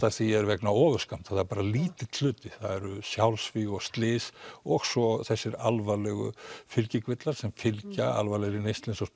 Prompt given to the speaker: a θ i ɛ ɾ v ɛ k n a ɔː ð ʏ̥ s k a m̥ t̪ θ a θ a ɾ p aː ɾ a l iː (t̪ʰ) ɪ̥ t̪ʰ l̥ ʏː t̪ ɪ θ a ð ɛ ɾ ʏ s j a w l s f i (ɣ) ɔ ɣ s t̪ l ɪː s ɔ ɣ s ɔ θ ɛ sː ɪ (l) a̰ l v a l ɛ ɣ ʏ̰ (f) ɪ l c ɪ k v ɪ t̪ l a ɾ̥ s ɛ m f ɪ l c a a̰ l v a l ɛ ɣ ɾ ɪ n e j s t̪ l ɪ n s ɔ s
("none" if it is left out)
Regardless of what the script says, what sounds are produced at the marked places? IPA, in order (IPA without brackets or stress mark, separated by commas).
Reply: t̪, ɣ, ɾ, f